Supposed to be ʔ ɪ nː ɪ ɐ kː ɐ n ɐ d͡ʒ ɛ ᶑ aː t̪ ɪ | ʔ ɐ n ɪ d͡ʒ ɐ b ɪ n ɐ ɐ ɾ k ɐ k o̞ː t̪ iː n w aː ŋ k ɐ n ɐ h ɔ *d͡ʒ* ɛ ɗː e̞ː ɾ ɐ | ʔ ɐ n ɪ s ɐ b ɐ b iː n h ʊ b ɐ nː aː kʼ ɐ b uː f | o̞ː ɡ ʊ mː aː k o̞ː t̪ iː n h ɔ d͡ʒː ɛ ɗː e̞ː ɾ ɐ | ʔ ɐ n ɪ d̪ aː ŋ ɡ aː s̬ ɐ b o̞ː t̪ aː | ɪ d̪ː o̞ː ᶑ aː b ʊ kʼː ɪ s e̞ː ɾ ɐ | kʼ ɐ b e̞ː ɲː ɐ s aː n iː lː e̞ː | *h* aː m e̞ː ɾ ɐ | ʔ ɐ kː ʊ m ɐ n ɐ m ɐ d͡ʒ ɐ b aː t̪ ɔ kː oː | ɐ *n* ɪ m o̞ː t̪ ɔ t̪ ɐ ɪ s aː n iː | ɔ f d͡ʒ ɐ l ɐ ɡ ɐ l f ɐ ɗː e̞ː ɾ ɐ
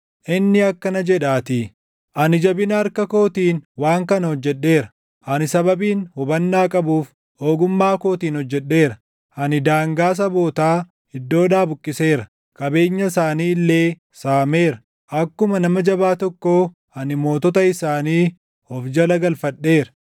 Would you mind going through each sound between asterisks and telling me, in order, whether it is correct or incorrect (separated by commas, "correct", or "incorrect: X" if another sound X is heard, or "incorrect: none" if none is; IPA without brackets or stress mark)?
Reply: incorrect: d͡ʒː, incorrect: s, correct